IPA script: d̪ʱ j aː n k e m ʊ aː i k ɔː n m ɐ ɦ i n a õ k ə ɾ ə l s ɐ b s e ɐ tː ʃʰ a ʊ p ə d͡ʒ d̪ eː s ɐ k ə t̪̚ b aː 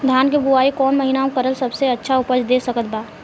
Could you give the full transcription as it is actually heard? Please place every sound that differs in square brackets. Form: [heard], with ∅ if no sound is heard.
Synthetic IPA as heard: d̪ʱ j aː n k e [b] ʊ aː i k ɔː n m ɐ ɦ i n a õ k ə ɾ ə l s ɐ b s e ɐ tː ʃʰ a ʊ p ə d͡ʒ d̪ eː s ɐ k ə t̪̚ b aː